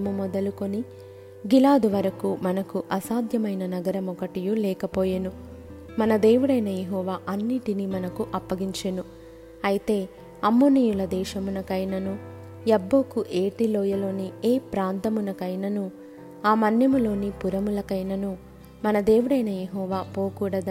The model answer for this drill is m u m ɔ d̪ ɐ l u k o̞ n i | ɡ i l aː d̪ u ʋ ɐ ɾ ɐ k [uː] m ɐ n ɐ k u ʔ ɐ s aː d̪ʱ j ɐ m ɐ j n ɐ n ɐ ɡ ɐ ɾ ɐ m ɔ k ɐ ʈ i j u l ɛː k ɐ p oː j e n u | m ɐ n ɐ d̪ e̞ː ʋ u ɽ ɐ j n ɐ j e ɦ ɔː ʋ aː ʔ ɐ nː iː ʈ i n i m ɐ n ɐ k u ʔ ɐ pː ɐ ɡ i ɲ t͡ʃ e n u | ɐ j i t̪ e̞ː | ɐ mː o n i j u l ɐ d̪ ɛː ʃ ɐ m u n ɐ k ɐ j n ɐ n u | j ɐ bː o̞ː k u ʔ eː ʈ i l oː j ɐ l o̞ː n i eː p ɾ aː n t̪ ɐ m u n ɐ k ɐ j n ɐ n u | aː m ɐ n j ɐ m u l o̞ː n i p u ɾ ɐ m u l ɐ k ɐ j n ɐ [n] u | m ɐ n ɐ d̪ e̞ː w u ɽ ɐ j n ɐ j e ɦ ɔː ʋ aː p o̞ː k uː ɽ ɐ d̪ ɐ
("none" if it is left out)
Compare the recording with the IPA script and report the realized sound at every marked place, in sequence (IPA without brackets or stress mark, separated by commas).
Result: u, n